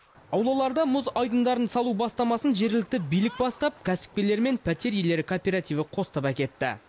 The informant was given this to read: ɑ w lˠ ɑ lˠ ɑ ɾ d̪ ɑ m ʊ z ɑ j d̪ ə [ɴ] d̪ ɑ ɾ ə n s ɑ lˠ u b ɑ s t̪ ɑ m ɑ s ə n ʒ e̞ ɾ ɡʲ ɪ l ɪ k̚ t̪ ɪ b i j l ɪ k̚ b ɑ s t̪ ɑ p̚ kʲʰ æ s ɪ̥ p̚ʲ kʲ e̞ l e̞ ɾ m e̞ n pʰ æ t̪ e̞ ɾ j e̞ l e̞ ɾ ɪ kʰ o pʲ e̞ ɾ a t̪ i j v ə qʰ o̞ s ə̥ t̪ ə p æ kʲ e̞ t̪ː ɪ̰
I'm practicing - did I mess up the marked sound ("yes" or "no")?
yes